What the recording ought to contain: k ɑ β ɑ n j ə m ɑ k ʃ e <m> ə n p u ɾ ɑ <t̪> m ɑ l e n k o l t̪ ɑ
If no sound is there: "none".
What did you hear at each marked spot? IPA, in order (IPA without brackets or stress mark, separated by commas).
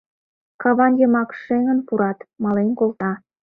ŋ, t̪